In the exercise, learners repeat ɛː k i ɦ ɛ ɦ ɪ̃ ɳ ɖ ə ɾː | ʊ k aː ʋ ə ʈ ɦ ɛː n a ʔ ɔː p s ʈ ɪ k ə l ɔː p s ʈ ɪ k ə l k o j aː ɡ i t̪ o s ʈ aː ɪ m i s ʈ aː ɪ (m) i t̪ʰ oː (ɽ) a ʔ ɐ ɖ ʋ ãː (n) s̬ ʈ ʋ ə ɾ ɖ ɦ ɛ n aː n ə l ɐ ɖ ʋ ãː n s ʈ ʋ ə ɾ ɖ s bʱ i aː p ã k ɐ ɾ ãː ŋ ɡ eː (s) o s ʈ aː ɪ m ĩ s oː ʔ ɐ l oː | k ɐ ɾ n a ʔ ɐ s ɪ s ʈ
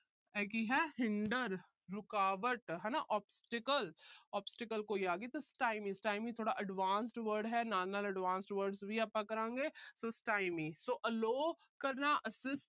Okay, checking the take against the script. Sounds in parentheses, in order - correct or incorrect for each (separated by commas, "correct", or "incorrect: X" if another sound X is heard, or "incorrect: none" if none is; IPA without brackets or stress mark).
correct, correct, correct, correct